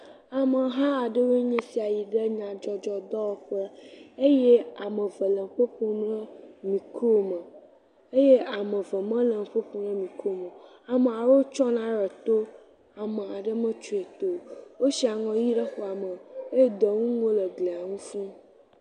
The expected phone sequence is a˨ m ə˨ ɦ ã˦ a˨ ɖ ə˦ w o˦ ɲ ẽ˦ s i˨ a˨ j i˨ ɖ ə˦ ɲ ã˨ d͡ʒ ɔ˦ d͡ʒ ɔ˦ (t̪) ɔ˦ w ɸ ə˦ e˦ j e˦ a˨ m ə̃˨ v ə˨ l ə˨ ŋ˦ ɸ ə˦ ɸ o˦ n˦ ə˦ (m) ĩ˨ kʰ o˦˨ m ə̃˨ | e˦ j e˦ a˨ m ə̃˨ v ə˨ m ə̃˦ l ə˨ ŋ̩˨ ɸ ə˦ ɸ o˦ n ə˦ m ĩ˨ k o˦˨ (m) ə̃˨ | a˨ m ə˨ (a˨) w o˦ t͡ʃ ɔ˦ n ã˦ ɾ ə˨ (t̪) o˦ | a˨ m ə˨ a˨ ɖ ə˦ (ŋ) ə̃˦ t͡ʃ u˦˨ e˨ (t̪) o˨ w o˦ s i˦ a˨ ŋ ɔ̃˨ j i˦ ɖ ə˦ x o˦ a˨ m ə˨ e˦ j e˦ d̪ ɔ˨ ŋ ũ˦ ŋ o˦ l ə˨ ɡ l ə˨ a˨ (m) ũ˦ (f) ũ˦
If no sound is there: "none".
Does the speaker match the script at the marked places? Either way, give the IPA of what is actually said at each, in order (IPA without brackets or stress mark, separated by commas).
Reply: d̪, m, m, a˨, t̪, m, t̪, ŋ, f